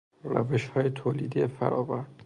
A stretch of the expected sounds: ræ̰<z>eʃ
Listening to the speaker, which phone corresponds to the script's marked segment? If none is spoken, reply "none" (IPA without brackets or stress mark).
v